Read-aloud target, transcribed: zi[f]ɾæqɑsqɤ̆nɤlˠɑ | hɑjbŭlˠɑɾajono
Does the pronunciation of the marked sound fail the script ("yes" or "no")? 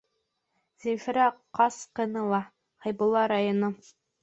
no